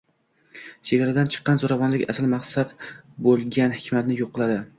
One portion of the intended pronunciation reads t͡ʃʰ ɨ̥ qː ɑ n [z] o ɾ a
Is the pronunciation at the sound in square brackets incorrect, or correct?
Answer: correct